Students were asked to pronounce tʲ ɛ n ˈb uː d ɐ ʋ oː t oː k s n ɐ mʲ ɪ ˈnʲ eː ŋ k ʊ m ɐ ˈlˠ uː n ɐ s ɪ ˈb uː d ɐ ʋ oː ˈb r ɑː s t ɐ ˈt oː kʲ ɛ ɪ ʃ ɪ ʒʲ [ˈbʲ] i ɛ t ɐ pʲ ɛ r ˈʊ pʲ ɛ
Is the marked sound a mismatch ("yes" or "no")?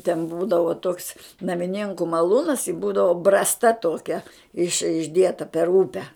yes